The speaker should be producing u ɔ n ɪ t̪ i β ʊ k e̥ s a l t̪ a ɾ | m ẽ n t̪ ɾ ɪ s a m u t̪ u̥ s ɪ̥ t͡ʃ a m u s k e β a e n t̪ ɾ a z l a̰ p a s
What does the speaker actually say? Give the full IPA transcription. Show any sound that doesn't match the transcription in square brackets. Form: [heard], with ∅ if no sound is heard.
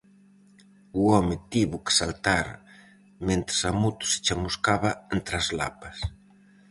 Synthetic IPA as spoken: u ɔ [m] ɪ t̪ i β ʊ k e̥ s a l t̪ a ɾ | m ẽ n t̪ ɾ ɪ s a m u t̪ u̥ s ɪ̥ t͡ʃ a m u s k [a] β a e n t̪ ɾ a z l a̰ p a s